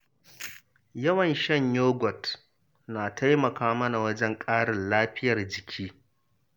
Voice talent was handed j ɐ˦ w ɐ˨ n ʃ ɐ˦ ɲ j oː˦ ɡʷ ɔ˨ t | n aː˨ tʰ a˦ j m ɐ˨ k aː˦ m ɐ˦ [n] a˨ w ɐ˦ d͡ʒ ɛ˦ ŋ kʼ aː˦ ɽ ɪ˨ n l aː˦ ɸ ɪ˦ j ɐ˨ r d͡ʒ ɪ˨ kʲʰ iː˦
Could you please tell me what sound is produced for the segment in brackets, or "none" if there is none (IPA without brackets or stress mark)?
n